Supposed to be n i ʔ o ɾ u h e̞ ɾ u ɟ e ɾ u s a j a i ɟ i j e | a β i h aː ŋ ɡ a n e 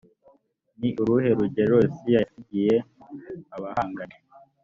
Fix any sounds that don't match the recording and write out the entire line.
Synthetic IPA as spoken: n i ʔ u ɾ u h e̞ ɾ u ɟ e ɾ o s i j a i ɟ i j e | a β a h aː ŋ ɡ a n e